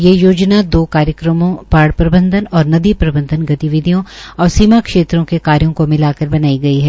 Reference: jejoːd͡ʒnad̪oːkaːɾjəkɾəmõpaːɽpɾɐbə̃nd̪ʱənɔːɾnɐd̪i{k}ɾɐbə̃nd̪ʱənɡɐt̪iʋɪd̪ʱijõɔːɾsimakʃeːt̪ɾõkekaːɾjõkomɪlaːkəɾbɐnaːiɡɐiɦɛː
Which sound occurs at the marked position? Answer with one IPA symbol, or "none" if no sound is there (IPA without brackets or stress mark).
p